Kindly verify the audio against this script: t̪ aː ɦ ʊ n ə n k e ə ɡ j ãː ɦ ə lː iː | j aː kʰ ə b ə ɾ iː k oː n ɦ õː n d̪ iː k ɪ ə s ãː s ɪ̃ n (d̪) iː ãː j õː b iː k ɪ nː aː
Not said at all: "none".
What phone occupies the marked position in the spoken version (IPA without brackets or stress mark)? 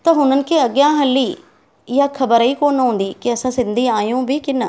d̪